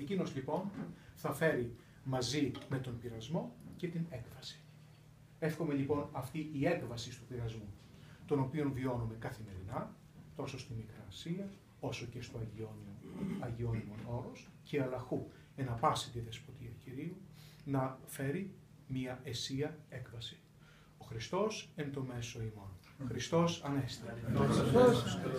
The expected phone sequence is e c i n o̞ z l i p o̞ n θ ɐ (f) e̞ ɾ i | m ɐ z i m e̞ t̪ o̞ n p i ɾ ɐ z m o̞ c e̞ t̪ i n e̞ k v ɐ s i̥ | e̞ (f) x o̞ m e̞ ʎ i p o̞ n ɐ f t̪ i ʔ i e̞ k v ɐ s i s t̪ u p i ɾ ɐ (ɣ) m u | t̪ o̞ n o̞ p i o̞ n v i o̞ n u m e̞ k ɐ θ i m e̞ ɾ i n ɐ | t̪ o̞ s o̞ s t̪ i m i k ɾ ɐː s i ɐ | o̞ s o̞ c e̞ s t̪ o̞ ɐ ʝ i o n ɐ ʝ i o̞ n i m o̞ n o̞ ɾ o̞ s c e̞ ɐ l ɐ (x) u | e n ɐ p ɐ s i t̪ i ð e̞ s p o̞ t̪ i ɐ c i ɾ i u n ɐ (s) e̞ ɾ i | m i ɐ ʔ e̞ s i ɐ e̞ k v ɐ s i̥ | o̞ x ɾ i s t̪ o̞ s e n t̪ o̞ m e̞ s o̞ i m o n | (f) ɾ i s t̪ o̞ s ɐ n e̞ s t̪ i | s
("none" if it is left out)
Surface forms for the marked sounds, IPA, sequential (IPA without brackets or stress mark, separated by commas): f, f, z, x, f, x